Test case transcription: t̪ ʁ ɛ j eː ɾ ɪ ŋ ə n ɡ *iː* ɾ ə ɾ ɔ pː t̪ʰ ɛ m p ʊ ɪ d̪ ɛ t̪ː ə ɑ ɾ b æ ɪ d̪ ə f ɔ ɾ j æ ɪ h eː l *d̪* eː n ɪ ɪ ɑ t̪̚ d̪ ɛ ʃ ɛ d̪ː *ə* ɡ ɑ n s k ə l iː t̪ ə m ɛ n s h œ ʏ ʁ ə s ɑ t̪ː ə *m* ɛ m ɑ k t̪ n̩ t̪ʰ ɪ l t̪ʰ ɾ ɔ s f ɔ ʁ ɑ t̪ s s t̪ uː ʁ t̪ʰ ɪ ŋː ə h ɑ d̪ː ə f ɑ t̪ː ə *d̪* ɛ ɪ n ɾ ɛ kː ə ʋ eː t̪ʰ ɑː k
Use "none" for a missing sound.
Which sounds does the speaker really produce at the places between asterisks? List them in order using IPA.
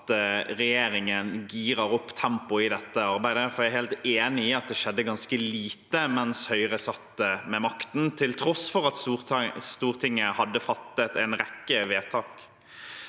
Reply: iː, t̪, ə, m, t̪

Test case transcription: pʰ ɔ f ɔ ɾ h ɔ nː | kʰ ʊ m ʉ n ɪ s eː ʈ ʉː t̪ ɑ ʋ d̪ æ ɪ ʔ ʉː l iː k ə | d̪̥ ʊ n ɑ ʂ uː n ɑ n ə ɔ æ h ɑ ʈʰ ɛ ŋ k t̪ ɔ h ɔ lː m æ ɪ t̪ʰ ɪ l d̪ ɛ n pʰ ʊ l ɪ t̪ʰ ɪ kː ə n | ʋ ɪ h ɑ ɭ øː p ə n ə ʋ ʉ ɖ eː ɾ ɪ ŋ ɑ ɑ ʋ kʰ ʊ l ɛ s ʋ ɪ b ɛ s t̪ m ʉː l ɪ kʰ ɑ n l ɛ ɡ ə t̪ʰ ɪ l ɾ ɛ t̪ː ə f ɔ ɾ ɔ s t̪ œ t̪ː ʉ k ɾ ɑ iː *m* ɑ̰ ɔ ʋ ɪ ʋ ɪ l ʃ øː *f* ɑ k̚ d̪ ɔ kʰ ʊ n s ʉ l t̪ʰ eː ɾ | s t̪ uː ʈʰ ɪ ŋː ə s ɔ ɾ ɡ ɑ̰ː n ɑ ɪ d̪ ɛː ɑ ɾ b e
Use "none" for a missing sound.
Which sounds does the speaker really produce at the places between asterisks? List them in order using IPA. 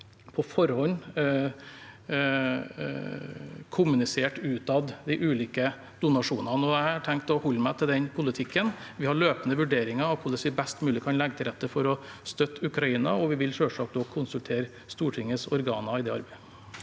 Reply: n, ʂ

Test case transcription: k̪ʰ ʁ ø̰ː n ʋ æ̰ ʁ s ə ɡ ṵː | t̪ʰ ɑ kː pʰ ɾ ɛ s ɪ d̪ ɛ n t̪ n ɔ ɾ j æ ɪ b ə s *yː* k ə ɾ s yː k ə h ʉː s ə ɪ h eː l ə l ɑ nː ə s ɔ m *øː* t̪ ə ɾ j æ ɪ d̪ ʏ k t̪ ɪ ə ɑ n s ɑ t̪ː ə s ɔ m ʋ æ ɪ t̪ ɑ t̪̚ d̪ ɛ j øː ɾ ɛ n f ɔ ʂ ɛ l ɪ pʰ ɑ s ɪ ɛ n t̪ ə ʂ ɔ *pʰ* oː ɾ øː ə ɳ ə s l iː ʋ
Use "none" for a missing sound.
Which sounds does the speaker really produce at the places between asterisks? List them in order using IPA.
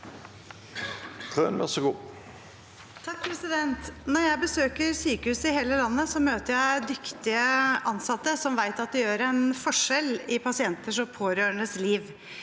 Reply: øː, øː, pʰ

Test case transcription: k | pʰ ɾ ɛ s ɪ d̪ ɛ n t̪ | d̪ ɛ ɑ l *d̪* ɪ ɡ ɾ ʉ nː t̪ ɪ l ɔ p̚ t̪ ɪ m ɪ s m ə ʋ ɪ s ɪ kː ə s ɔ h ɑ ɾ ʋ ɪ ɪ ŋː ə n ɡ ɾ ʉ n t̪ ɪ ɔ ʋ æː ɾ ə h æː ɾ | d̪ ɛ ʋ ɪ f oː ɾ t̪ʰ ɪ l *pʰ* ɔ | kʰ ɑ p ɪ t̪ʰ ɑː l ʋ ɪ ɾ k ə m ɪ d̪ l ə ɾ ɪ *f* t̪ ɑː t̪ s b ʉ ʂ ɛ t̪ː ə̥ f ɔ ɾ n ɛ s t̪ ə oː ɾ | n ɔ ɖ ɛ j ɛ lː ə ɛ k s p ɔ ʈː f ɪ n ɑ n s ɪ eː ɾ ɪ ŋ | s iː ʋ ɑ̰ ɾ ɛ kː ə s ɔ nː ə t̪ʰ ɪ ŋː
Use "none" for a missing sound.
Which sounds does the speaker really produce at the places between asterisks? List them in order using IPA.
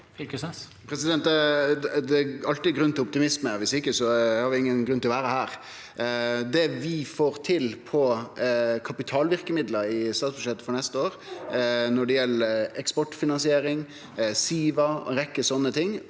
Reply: t̪, pʰ, s

